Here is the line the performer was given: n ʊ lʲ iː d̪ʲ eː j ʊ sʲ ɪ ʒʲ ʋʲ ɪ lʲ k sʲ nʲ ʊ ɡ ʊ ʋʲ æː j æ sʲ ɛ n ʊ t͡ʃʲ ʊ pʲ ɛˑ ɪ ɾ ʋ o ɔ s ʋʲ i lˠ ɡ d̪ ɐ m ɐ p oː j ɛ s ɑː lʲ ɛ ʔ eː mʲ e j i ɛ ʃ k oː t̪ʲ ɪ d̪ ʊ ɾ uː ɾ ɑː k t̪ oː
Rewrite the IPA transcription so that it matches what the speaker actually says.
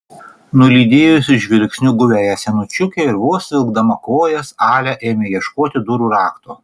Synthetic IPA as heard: n ʊ lʲ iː d̪ʲ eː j ʊ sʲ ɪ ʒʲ ʋʲ ɪ lʲ k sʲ nʲ ʊ ɡ ʊ ʋʲ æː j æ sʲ ɛ n ʊ t͡ʃʲ ʊ kʲ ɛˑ ɪ ɾ ʋ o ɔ s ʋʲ ɪ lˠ ɡ d̪ ɐ m ɐ k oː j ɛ s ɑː lʲ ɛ ʔ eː mʲ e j i ɛ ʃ k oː t̪ʲ ɪ d̪ ʊ ɾ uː ɾ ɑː k t̪ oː

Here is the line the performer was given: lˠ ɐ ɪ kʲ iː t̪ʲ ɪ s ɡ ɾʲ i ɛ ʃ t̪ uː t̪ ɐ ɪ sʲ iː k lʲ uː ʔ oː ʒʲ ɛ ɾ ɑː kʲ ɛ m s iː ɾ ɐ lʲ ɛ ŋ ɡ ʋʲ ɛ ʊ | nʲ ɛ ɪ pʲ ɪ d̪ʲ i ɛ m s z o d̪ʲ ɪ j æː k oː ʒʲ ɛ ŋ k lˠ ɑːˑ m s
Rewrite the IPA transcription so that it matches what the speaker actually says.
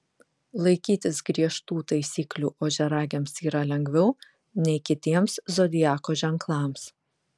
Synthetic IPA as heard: lˠ ɐ ɪ kʲ iː t̪ʲ ɪ s ɡ ɾʲ i ɛ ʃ t̪ uː t̪ ɐ ɪ sʲ iː k lʲ uː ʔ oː ʒʲ ɛ ɾ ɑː ɡʲ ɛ m s iː ɾ ɐ lʲ ɛ ŋ ɡ ʋʲ ɛ ʊ | nʲ ɛ ɪ kʲ ɪ t̪ʲ i ɛ m s z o d̪ʲ ɪ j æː k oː ʒʲ ɛ ŋ k lˠ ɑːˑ m s

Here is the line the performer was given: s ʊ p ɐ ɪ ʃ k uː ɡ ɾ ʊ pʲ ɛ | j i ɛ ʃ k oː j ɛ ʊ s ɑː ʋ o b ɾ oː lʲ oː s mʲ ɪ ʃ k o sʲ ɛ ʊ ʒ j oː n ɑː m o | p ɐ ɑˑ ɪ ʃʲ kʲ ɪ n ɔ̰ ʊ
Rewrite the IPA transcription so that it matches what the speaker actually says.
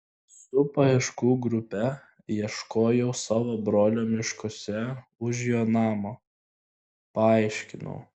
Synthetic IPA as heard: s ʊ p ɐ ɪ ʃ k uː ɡ ɾ ʊ pʲ ɛ | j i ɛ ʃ k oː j ɛ ʊ s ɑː ʋ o b ɾ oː lʲ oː mʲ ɪ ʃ k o sʲ ɛ ʊ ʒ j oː n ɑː m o | p ɐ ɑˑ ɪ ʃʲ kʲ ɪ n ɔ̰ ʊ

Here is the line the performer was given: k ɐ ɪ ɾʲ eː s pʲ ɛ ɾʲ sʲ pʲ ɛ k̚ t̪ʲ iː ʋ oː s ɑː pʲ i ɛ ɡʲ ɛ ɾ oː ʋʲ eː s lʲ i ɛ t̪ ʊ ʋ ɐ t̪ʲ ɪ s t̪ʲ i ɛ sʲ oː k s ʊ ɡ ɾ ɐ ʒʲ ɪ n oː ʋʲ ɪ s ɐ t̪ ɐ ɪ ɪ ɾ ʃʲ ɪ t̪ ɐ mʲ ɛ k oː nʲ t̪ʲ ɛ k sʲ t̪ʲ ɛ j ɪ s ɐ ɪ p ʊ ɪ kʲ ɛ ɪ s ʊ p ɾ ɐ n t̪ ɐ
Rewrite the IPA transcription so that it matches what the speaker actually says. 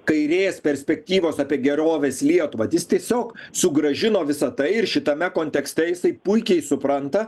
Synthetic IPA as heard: k ɐ ɪ ɾʲ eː s pʲ ɛ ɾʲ sʲ pʲ ɛ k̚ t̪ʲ iː ʋ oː s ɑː pʲ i ɛ ɡʲ ɛ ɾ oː ʋʲ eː s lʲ i ɛ t̪ ʊ ʋ ɐ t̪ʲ ɪ s t̪ʲ i ɛ sʲ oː k s ʊ ɡ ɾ ɐ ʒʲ ɪ n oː ʋʲ ɪ s ɐ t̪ ɐ ɪ ɪ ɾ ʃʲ ɪ t̪ ɐ mʲ ɛ k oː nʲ t̪ʲ ɛ k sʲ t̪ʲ ɛ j ɪ s ɐ ɪ p ʊ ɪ kʲ ɛ ɪ s ʊ p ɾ ɐ n t̪ ɐ

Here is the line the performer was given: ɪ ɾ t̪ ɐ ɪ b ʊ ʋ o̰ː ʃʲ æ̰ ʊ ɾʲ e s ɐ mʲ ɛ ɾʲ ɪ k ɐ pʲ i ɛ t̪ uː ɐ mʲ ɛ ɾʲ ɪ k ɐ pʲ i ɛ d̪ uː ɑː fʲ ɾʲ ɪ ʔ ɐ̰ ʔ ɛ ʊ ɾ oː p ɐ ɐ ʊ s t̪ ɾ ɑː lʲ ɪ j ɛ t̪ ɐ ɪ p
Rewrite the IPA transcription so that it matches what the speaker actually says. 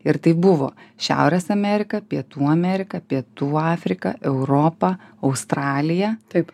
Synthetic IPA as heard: ɪ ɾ t̪ ɐ ɪ b ʊ ʋ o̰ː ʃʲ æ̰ ʊ ɾʲ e s ɐ mʲ ɛ ɾʲ ɪ k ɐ pʲ i ɛ t̪ uː ɐ mʲ ɛ ɾʲ ɪ k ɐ pʲ i ɛ t̪ uː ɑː fʲ ɾʲ ɪ k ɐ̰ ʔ ɛ ʊ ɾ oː p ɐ ɐ ʊ s t̪ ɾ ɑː lʲ ɪ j ɛ t̪ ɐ ɪ p

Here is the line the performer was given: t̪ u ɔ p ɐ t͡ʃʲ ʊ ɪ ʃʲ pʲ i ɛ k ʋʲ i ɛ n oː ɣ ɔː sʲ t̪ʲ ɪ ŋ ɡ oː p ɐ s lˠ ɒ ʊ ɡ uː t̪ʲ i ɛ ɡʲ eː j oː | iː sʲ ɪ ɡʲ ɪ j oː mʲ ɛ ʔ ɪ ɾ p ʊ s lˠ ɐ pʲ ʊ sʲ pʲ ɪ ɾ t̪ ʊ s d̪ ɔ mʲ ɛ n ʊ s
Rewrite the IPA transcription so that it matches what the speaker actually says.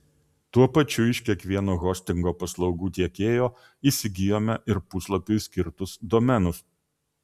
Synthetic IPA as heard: t̪ u ɔ p ɐ t͡ʃʲ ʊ ɪ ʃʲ kʲ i ɛ k ʋʲ i ɛ n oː ɣ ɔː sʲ t̪ʲ ɪ ŋ ɡ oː p ɐ s lˠ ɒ ʊ ɡ uː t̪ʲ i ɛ kʲ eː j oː | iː sʲ ɪ ɡʲ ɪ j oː mʲ ɛ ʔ ɪ ɾ p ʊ s lˠ ɐ pʲ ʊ sʲ kʲ ɪ ɾ t̪ ʊ s d̪ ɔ mʲ ɛ n ʊ s

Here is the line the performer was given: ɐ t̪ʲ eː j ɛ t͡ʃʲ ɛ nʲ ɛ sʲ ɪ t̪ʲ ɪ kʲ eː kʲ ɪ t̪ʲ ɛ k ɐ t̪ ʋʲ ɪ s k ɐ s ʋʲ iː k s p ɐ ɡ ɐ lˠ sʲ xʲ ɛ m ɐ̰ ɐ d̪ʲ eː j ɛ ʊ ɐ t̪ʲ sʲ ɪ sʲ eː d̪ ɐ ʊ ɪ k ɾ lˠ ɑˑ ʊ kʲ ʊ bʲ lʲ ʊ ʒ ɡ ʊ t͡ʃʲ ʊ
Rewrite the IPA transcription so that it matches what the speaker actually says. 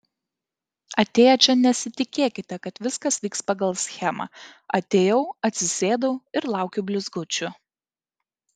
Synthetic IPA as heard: ɐ t̪ʲ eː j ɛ t͡ʃʲ ɛ nʲ ɛ sʲ ɪ t̪ʲ ɪ kʲ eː kʲ ɪ t̪ʲ ɛ k ɐ t̪ ʋʲ ɪ s k ɐ s ʋʲ iː k s p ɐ ɡ ɐ lˠ sʲ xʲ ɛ m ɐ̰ ɐ t̪ʲ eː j ɛ ʊ ɐ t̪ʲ sʲ ɪ sʲ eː d̪ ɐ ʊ ɪ ɾ lˠ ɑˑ ʊ kʲ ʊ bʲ lʲ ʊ z ɡ ʊ t͡ʃʲ ʊ

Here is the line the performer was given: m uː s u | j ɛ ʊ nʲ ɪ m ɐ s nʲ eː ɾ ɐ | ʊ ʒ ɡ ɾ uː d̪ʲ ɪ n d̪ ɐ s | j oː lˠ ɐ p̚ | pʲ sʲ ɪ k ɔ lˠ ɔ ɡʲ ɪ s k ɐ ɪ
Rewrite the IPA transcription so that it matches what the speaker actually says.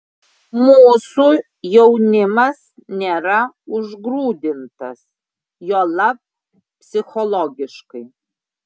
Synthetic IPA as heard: m uː s u | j ɛ ʊ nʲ ɪ m ɐ s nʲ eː ɾ ɐ | ʊ ʒ ɡ ɾ uː d̪ʲ ɪ n t̪ ɐ s | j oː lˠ ɐ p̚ | pʲ sʲ ɪ x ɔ lˠ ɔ ɡʲ ɪ ʃ k ɐ ɪ

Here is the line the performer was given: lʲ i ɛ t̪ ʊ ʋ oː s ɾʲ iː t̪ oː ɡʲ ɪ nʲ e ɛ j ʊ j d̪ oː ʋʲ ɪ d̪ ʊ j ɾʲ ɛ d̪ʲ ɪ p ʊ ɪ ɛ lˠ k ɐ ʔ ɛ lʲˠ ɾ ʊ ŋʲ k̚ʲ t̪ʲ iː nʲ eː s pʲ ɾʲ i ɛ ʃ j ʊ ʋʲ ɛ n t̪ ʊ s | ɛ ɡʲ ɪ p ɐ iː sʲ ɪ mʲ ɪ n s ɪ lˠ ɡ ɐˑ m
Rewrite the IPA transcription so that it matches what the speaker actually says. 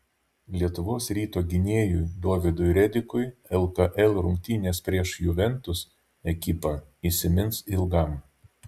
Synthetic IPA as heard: lʲ i ɛ t̪ ʊ ʋ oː s ɾʲ iː t̪ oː ɡʲ ɪ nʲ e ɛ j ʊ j d̪ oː ʋʲ ɪ d̪ ʊ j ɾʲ ɛ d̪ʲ ɪ k ʊ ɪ ɛ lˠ k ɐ ʔ ɛ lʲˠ ɾ ʊ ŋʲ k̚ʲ t̪ʲ iː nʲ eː s pʲ ɾʲ i ɛ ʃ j ʊ ʋʲ ɛ n t̪ ʊ s | ɛ kʲ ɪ p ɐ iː sʲ ɪ mʲ ɪ n s ɪ lˠ ɡ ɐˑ m

